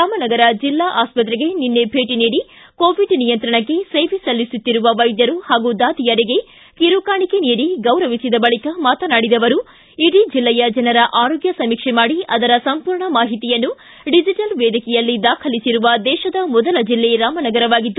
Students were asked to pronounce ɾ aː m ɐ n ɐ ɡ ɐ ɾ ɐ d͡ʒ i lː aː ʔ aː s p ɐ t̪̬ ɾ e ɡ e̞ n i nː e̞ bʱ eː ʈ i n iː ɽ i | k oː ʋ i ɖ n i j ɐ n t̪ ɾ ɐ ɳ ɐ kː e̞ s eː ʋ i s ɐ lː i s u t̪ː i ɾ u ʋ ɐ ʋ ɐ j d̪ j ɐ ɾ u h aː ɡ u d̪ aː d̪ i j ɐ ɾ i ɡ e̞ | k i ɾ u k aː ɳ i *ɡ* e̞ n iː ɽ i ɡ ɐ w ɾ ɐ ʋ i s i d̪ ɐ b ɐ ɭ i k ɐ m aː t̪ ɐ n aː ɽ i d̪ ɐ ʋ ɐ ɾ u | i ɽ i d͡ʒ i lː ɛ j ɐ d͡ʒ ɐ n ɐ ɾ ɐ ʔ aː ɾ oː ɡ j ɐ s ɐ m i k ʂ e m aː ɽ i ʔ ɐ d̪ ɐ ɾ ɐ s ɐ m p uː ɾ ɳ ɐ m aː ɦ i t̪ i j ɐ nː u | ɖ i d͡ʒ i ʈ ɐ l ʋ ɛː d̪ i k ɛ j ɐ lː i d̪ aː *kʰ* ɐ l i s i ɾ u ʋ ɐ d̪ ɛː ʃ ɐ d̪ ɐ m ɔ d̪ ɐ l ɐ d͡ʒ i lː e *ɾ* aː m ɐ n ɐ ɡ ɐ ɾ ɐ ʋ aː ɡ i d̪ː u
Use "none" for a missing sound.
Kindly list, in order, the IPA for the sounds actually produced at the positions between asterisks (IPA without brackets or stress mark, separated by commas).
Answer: k, kʰ, ɾ